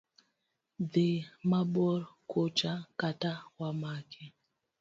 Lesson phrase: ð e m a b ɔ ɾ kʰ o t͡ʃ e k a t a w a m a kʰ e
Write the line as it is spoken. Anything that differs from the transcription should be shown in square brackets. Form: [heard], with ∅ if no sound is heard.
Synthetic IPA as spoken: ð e m a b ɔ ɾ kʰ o t͡ʃ [a] k a t a w a m a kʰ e

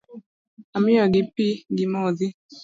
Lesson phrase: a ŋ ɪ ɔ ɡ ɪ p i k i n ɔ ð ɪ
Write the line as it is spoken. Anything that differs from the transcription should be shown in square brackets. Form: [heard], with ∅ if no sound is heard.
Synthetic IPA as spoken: a [m] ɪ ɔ ɡ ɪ p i [ɡ] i [m] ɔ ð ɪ

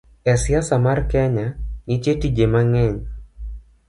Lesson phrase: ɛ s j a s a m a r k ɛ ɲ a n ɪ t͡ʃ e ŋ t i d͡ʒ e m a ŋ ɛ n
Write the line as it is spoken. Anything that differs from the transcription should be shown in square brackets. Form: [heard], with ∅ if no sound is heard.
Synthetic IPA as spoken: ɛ s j a s a m a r k ɛ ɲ a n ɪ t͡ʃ e [∅] t i d͡ʒ e m a ŋ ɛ [ɲ]

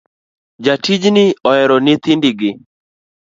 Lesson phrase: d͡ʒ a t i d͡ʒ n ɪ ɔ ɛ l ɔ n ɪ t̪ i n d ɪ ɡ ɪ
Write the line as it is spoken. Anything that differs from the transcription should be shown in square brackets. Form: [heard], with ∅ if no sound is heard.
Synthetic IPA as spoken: d͡ʒ a t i d͡ʒ n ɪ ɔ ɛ [ɾ] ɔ n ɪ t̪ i n d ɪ ɡ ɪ

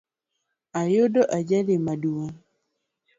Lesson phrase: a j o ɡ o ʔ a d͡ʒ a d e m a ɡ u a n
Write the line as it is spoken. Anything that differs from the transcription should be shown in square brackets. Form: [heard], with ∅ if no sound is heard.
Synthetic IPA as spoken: a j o [d] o ʔ a d͡ʒ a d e m a [d] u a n

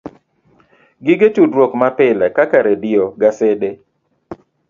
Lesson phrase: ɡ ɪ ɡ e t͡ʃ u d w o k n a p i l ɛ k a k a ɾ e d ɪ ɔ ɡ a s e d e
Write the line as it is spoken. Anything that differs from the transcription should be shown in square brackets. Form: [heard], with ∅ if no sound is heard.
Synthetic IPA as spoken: ɡ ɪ ɡ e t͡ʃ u d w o k [m] a p [ɪ] l ɛ k a k a ɾ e d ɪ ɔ ɡ a s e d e

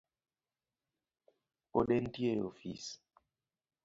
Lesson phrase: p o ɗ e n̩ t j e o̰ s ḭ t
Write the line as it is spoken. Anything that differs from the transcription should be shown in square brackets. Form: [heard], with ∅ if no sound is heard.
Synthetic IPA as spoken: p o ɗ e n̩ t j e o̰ [f] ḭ [s]

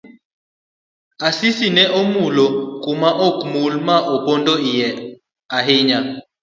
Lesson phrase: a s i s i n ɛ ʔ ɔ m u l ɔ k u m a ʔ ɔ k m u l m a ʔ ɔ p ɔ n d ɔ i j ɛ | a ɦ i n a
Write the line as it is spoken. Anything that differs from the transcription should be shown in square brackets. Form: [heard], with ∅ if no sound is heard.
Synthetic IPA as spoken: a s i s i n ɛ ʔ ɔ m u l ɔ k u m a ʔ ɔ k m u l m a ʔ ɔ p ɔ n d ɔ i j ɛ | a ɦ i [ɲ] a

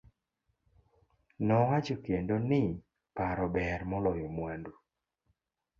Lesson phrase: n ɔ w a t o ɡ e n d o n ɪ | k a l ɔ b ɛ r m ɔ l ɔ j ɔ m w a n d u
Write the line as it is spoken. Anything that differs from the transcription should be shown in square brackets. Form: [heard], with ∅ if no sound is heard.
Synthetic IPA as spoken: n ɔ w a [t͡ʃ] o [k] e n d o n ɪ | [p] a [ɾ] ɔ b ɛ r m ɔ l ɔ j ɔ m w a n d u

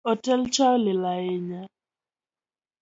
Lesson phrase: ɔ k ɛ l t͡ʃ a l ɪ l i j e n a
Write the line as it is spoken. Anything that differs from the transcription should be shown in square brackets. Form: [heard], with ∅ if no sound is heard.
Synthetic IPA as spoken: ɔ [t] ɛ l t͡ʃ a l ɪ l [a] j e [ɲ] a

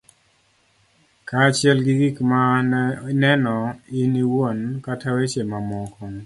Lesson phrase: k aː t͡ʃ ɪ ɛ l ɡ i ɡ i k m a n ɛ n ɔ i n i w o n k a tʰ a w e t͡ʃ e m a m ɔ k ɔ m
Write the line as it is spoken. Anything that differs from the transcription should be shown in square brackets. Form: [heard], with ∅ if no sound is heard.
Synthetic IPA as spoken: k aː t͡ʃ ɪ ɛ l ɡ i ɡ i k m a n ɛ n ɔ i n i w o n k a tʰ a w e t͡ʃ e m a m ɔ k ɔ [ŋ]

